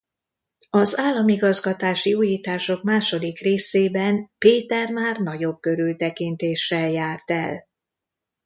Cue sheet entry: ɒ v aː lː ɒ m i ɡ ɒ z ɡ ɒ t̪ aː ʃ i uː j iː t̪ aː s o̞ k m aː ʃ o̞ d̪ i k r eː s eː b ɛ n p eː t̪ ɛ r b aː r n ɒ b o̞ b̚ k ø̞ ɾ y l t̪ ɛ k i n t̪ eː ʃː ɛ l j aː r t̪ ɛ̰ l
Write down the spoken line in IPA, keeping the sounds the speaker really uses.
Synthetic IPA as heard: ɒ z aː lː ɒ m i ɡ ɒ z ɡ ɒ t̪ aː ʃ i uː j iː t̪ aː ʃ o̞ k m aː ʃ o̞ d̪ i k r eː s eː b ɛ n p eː t̪ ɛ r m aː r n ɒ ɟ o̞ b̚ k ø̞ ɾ y l t̪ ɛ k i n t̪ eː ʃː ɛ l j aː r t̪ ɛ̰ l